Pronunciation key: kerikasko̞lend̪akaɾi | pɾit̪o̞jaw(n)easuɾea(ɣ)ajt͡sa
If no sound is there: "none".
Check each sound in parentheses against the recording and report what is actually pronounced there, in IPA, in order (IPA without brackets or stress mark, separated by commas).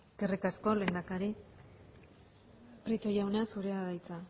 n, ð